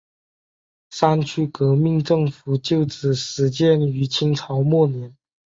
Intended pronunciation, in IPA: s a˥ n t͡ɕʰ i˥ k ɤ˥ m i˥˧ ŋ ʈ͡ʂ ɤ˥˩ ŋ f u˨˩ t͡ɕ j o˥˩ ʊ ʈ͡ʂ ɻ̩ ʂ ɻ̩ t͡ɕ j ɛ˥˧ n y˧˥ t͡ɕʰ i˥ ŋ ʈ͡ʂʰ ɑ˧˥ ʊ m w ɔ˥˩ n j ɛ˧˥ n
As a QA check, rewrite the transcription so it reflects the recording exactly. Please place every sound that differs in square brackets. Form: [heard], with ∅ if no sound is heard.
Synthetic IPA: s a˥ n t͡ɕʰ [y˥] k [ɤ˧˥] m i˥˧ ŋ ʈ͡ʂ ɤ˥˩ ŋ f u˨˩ t͡ɕ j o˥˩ ʊ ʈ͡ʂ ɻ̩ ʂ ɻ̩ t͡ɕ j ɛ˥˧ n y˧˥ t͡ɕʰ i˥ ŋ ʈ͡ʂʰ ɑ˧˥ ʊ m w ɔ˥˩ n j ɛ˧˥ n